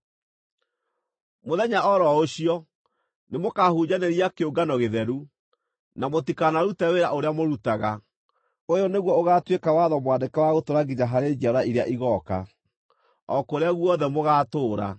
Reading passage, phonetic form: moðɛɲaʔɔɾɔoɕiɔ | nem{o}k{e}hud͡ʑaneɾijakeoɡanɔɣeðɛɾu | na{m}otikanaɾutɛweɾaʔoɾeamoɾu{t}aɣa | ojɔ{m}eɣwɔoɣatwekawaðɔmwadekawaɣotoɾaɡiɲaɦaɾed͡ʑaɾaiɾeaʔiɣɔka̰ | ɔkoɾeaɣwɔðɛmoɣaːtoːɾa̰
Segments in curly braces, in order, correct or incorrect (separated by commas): correct, incorrect, correct, correct, incorrect